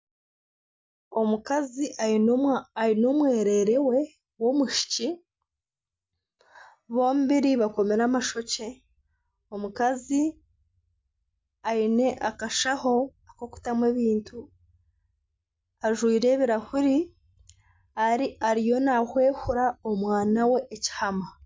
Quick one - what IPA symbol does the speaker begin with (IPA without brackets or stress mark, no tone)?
o̞